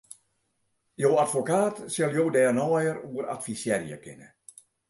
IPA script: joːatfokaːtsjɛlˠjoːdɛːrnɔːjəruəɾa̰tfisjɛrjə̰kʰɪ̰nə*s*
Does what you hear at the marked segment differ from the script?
yes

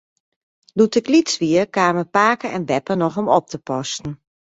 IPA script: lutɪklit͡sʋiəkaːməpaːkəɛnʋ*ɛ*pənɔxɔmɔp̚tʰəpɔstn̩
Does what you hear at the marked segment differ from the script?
no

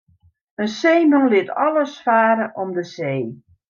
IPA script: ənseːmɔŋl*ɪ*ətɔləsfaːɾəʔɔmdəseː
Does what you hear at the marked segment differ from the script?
no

